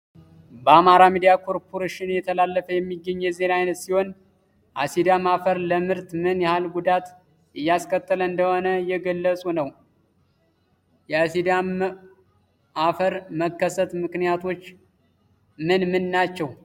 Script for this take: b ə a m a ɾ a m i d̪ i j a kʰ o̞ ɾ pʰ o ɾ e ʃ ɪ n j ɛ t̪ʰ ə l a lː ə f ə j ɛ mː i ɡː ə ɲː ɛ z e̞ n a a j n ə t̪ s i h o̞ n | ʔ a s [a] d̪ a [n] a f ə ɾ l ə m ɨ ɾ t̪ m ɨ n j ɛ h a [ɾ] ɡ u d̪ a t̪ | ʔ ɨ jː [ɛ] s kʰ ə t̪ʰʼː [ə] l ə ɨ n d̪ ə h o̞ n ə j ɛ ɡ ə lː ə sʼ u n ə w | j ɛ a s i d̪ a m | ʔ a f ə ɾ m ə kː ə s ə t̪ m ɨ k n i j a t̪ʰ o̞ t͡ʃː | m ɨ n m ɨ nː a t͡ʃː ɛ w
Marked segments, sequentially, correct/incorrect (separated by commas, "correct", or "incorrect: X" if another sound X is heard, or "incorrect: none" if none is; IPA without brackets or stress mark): incorrect: i, incorrect: m, incorrect: l, incorrect: a, correct